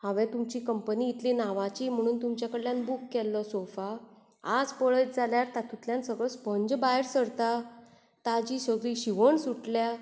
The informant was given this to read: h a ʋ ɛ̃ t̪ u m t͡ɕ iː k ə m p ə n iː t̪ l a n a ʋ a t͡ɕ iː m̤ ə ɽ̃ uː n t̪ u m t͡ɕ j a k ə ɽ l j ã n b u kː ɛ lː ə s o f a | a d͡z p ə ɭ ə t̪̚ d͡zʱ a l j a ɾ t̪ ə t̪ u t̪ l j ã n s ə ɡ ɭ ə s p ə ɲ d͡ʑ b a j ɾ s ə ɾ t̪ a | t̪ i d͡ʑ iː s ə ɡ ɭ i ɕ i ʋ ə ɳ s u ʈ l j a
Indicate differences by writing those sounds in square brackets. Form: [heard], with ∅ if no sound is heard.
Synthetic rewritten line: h a ʋ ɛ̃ t̪ u m t͡ɕ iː k ə m p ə n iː t̪ l [i] n a ʋ a t͡ɕ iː m̤ ə ɽ̃ uː n t̪ u m t͡ɕ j a k ə ɽ l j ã n b u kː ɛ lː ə s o f a | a d͡z p ə ɭ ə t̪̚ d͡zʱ a l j a ɾ t̪ [a] t̪ u t̪ l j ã n s ə ɡ ɭ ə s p ə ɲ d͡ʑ b a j ɾ s ə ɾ t̪ a | t̪ [a] d͡ʑ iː s ə ɡ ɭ i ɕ i ʋ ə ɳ s u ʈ l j a